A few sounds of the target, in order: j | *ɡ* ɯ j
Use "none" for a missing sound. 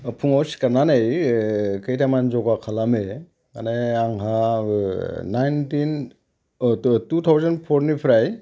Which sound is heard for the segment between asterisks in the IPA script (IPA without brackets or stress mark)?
k